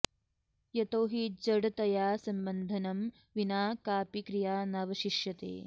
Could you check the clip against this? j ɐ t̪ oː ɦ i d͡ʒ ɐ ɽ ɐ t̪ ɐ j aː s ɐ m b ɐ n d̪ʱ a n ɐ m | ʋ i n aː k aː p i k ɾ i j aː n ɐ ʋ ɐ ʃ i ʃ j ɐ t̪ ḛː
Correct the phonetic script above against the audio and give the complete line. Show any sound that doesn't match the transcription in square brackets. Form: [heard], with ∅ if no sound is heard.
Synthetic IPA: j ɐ t̪ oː ɦ i d͡ʒ ɐ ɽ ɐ t̪ ɐ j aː s ɐ m b ɐ n d̪ʱ [ɐ] n ɐ m | ʋ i n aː k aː p i k ɾ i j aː n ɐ ʋ ɐ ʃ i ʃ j ɐ t̪ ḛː